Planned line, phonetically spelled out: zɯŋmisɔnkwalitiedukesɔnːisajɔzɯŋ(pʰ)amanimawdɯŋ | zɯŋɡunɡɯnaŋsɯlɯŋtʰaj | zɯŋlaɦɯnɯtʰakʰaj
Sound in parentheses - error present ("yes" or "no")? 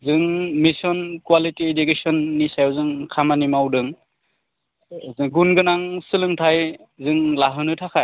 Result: yes